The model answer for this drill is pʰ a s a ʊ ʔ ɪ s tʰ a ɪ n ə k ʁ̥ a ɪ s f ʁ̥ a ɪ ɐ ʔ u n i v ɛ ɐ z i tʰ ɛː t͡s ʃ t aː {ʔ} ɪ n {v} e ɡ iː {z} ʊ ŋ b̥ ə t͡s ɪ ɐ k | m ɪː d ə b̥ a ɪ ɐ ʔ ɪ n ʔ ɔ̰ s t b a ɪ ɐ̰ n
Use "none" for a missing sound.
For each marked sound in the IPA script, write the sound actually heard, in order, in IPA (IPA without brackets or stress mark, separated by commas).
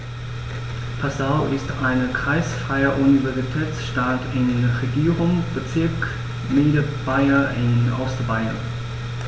t, ʁ, ʁ